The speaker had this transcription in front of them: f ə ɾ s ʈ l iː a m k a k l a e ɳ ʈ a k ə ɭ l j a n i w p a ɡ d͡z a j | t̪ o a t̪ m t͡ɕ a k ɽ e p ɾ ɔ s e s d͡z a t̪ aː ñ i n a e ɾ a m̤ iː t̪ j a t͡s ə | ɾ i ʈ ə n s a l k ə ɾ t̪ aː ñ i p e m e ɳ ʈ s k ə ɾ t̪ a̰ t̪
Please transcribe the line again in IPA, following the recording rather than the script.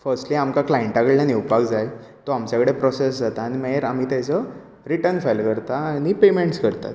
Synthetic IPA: f ə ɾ s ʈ l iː a m k a k l a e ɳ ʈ a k ə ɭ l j a n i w p a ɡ d͡z a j | t̪ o a m t͡ɕ a k ɽ e p ɾ ɔ s e s d͡z a t̪ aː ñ i m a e ɾ a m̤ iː t̪ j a t͡s ə | ɾ i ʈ ə n f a l k ə ɾ t̪ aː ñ i p e m e ɳ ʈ s k ə ɾ t̪ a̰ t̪